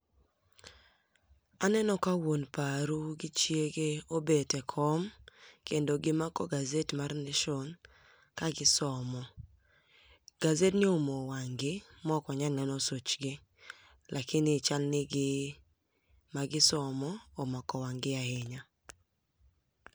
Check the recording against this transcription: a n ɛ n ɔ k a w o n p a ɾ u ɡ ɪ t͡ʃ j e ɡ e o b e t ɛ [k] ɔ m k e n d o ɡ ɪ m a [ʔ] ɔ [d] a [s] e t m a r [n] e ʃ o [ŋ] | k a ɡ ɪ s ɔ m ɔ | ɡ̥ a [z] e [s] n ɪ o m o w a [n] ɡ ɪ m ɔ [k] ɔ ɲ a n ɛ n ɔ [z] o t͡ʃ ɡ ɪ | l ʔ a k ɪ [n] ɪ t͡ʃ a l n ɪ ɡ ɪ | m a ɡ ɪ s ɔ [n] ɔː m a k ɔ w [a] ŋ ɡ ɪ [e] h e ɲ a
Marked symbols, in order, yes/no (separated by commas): no, no, no, no, yes, no, yes, no, no, yes, no, yes, no, yes, no